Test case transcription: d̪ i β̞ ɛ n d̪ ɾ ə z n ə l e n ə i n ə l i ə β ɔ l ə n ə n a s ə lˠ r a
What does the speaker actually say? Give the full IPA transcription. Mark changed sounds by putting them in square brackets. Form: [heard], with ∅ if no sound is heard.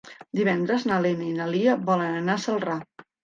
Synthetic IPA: d̪ i β̞ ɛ n d̪ ɾ ə z n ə l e n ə i n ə l i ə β ɔ l ə n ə n a s ə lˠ r a

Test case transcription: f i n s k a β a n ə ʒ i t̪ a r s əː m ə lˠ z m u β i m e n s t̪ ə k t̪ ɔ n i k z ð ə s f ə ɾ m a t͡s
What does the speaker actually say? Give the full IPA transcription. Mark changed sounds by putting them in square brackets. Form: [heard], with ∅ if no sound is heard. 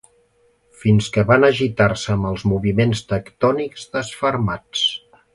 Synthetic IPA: f i n s k [ə] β a n ə ʒ i t̪ a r s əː m ə lˠ z m u β i m e n s t̪ ə k t̪ ɔ n i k z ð ə s f ə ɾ m a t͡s

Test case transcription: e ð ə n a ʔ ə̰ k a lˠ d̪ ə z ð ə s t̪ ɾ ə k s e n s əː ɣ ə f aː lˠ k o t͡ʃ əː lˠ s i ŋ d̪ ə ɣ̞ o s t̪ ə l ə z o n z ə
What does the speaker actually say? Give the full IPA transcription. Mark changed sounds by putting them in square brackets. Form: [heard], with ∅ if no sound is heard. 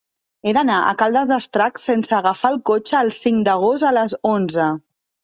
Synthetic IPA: e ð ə n a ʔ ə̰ k a lˠ d̪ ə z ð ə s t̪ ɾ [a] k s e n s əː ɣ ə f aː lˠ k o t͡ʃ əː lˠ s i ŋ d̪ ə ɣ̞ o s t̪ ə l ə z o n z ə

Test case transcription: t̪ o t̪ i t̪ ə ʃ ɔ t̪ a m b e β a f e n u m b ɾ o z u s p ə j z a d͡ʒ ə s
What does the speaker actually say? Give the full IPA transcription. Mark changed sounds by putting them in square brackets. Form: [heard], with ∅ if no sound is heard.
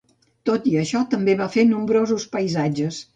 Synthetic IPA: t̪ o t̪ i [∅] ə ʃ ɔ t̪ [ə] m b e β a f e n u m b ɾ o z u s p ə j z a d͡ʒ ə s

